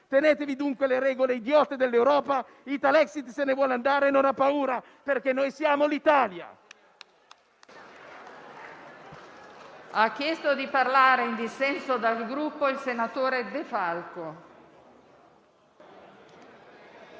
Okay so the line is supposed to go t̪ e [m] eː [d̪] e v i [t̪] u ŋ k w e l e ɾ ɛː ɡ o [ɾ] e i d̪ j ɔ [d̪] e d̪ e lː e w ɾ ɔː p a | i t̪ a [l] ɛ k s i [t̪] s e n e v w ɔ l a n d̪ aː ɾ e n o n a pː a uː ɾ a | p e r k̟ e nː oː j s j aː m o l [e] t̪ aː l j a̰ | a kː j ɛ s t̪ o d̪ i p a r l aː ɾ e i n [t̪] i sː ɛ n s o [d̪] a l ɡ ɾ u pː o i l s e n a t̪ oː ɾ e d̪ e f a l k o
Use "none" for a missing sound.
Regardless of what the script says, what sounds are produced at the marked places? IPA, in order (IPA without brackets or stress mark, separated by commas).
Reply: n, t̪, d̪, l, t̪, l, t̪, i, d̪, d̪